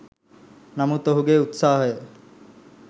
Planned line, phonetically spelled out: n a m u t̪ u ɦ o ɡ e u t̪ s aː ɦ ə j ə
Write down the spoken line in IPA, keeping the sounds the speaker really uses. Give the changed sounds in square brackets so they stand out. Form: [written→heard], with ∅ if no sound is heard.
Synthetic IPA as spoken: n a m u t̪ [u→o] ɦ [o→u] ɡ e u t̪ s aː ɦ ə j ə